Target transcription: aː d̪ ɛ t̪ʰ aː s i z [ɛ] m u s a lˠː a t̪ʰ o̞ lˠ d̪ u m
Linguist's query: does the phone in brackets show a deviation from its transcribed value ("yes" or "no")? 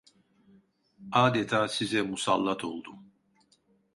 no